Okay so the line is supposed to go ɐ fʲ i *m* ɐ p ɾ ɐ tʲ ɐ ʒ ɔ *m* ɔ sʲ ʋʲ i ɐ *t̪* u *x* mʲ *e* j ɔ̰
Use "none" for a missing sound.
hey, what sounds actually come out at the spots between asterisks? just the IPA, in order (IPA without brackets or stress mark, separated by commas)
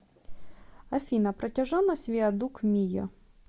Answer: n, n, d̪, k, i